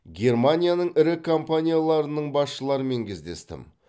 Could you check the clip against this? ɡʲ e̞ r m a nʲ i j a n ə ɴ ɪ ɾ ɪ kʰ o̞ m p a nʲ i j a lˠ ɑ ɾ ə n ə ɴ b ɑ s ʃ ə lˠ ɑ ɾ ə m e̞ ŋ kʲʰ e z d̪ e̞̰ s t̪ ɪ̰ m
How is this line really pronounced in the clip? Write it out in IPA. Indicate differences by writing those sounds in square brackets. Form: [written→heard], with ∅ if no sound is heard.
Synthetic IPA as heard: ɡʲ e̞ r m a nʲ i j a n ə ɴ ɪ ɾ ɪ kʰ o̞ m p a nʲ i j a lˠ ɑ ɾ ə n ə ɴ b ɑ s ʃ ə lˠ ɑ ɾ ə m e̞ ŋ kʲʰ e z d̪ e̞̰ s t̪ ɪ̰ m